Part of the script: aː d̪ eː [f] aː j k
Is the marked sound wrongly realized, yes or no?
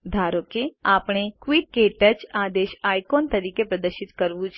yes